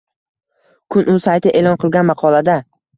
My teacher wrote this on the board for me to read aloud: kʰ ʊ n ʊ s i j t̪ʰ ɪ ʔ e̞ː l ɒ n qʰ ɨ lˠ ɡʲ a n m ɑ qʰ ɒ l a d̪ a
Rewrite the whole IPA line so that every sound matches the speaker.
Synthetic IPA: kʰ ʊ n ʊ s a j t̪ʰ ɪ ʔ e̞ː l ɒ n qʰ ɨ lˠ ɡʲ a n m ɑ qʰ ɒ l a d̪ a